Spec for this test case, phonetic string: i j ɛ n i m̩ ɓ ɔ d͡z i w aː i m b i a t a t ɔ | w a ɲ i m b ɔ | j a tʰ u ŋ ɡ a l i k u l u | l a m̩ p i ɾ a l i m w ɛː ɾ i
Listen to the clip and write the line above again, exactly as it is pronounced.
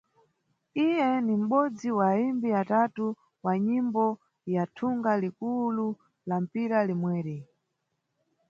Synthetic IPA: i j ɛ n i m̩ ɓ ɔ d͡z i w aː i m b i a t a t u | w a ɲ i m b ɔ | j a tʰ u ŋ ɡ a l i k u l u | l a m̩ p i ɾ a l i m w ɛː ɾ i